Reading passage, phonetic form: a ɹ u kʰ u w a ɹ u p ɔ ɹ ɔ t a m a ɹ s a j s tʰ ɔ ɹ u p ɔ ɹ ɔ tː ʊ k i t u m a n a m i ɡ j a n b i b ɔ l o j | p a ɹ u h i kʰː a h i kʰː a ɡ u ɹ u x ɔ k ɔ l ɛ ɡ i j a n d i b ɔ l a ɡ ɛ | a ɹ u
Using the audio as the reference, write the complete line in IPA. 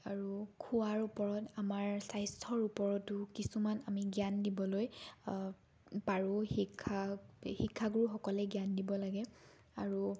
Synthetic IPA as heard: a ɹ u kʰ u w a ɹ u p ɔ ɹ ɔ t a m a ɹ s a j s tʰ ɔ ɹ u p ɔ ɹ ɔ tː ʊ k i s u m a n a m i ɡ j a n d i b ɔ l o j | p a ɹ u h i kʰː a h i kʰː a ɡ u ɹ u x ɔ k ɔ l ɛ ɡ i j a n d i b ɔ l a ɡ ɛ | a ɹ u